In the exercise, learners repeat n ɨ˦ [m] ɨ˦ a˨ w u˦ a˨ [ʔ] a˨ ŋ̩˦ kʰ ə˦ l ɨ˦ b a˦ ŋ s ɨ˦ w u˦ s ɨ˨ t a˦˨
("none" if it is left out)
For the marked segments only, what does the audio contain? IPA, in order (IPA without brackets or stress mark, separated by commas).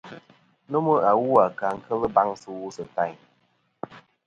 m, k